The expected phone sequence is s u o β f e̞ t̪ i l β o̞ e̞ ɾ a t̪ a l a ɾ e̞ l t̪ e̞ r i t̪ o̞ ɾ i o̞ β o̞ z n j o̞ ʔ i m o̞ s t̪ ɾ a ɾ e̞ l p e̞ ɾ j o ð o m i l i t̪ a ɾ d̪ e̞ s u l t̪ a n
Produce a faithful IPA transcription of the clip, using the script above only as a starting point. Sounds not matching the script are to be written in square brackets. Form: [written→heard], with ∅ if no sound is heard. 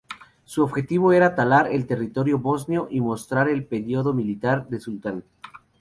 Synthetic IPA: s u o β [f→x] e̞ t̪ i [l→∅] β o̞ e̞ ɾ a t̪ a l a ɾ e̞ l t̪ e̞ r i t̪ o̞ ɾ [i→j] o̞ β o̞ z n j o̞ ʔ i m o̞ s t̪ ɾ a ɾ e̞ l p e̞ ɾ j o ð o m i l i t̪ a ɾ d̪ e̞ s u l t̪ a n